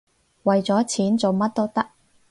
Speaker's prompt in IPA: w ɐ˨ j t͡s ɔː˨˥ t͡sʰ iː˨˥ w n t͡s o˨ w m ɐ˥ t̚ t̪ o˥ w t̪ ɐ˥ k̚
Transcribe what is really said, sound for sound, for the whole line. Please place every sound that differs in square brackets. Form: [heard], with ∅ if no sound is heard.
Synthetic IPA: w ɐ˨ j t͡s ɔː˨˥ t͡sʰ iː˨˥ [∅] n t͡s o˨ w m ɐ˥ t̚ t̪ o˥ w t̪ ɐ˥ k̚